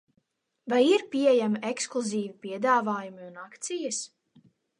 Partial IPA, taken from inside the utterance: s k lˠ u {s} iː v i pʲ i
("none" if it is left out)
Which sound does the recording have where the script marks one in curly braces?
z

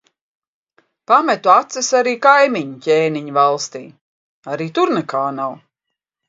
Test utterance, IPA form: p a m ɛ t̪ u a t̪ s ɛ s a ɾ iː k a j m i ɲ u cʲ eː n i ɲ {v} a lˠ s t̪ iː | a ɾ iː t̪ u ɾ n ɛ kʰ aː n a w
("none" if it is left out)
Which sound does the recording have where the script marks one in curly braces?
v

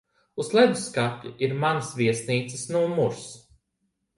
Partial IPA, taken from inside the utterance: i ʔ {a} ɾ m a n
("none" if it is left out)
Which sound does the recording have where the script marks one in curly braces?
i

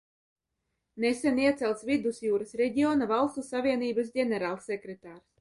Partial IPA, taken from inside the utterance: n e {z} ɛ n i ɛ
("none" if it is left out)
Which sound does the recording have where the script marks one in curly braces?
s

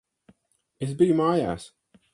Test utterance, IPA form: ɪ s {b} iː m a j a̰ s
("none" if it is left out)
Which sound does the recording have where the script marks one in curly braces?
b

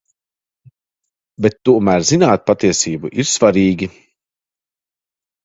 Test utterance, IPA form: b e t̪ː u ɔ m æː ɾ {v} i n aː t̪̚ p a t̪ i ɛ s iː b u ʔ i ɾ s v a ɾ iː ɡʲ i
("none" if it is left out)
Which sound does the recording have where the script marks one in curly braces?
z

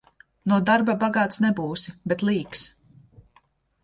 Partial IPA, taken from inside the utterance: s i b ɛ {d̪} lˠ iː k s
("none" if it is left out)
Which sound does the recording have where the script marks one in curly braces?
t̪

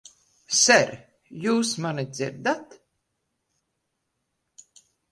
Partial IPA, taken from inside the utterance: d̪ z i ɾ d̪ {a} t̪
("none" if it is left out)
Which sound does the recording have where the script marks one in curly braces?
a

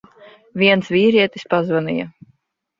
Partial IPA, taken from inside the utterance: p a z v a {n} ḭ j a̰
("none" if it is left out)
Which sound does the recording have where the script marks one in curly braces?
n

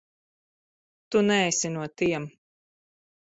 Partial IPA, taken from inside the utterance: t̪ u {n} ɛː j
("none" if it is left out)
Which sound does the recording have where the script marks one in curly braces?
n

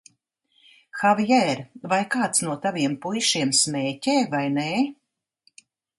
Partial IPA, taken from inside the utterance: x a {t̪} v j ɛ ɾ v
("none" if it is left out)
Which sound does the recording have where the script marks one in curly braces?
none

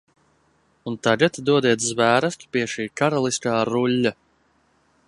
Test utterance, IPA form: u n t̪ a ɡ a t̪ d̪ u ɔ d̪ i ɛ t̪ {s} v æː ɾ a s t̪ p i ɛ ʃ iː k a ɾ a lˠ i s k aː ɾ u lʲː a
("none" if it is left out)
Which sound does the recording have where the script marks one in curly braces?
z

